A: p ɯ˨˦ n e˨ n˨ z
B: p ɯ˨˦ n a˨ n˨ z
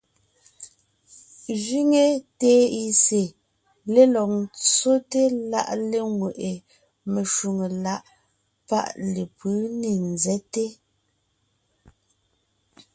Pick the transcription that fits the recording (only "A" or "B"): A